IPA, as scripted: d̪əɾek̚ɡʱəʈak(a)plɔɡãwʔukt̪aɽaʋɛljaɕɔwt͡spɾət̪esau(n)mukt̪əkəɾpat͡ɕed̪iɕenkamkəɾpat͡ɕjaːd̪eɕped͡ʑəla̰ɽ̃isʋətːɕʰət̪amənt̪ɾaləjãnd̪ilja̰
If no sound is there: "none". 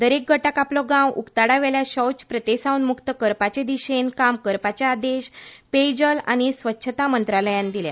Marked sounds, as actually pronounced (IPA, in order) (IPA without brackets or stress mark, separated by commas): a, n